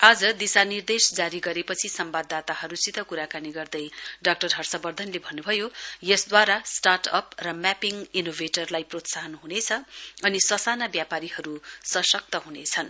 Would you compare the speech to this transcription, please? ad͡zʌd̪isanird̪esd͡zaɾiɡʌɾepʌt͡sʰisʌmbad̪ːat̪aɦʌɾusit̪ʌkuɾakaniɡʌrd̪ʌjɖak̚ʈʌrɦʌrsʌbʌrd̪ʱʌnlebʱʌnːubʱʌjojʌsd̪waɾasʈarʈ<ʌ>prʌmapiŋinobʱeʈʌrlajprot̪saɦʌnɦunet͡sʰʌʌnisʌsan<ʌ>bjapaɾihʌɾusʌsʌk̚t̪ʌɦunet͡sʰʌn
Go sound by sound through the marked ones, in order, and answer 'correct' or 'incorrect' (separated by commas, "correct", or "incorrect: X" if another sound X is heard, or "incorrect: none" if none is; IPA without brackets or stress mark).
correct, incorrect: a